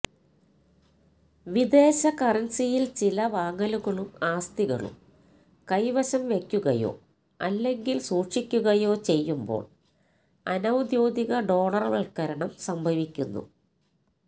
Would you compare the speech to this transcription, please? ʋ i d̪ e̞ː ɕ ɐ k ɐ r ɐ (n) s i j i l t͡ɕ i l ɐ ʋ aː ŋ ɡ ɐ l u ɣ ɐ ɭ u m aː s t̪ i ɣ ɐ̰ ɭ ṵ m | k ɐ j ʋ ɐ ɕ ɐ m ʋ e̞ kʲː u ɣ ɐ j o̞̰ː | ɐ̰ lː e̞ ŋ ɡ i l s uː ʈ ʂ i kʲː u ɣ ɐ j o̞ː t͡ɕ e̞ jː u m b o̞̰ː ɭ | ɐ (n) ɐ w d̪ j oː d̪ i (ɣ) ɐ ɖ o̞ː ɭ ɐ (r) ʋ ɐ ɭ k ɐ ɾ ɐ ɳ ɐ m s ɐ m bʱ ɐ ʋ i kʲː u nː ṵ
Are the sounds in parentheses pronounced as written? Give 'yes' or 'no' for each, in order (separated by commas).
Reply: yes, yes, yes, yes